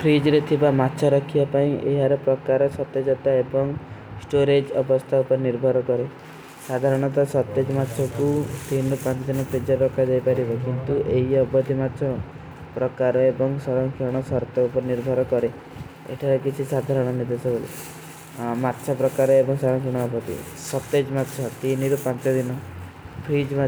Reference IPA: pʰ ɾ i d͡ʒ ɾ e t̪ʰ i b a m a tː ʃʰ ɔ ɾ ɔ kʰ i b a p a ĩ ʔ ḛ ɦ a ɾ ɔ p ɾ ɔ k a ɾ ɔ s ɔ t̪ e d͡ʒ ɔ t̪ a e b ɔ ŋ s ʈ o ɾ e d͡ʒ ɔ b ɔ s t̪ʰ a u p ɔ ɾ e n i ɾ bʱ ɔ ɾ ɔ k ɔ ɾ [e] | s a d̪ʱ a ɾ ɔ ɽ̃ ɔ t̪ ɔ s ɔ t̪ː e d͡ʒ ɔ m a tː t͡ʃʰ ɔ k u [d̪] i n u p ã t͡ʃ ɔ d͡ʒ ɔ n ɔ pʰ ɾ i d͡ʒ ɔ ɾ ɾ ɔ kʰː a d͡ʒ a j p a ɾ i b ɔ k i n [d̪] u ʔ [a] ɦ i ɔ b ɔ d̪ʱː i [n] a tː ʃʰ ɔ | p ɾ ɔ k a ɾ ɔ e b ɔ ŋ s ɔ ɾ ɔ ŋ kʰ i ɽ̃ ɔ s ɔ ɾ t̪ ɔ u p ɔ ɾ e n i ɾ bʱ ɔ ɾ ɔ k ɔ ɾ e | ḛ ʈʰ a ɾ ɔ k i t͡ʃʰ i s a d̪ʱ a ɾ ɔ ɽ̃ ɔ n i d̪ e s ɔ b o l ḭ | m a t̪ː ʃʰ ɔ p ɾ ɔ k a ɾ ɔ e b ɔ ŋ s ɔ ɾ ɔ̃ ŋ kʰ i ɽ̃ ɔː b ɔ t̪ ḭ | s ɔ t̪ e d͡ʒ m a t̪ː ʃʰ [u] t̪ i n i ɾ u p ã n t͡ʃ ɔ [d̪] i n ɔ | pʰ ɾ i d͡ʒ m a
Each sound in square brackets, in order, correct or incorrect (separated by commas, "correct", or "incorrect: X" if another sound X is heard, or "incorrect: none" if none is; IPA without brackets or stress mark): correct, incorrect: t̪, incorrect: t̪, incorrect: e, incorrect: m, incorrect: ɔ, correct